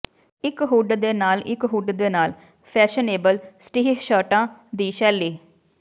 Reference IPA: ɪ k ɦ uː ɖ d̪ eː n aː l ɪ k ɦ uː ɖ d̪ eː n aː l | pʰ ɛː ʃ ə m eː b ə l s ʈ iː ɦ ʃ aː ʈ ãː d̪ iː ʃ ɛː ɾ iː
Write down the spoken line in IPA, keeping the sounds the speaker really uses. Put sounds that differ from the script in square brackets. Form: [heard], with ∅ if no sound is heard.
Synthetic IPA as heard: ɪ k ɦ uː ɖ d̪ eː n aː l ɪ k ɦ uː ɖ d̪ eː n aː l | pʰ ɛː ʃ ə [n] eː b ə l s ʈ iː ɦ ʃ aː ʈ ãː d̪ iː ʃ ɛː [l] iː